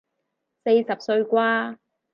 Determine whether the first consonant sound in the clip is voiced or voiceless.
voiceless